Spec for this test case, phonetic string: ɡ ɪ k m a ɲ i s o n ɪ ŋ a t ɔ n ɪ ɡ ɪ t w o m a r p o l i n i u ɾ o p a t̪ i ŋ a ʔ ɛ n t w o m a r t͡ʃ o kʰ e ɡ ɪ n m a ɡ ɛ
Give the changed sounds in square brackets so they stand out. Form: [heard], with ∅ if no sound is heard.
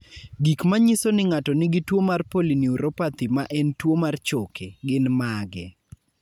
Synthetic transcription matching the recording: ɡ [i] k m a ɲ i s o n ɪ ŋ a t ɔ n ɪ ɡ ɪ t w o m a r p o l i n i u ɾ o p a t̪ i [m] a ʔ ɛ n t w o m a r t͡ʃ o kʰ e ɡ ɪ n m a ɡ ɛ